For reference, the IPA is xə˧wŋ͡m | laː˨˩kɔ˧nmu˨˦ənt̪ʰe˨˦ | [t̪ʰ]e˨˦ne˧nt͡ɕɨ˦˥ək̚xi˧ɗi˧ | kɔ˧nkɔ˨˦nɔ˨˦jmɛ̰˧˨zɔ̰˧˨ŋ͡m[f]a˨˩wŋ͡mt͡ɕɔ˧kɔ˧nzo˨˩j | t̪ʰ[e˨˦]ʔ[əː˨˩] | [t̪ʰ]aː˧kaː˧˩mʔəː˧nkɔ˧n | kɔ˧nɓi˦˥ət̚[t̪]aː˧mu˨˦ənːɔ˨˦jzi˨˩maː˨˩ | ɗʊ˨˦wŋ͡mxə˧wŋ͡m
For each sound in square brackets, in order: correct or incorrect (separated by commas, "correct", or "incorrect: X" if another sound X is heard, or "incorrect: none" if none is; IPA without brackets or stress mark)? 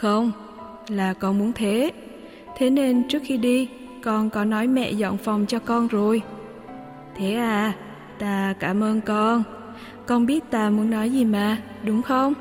correct, correct, correct, incorrect: aː˨˩, incorrect: t̪, correct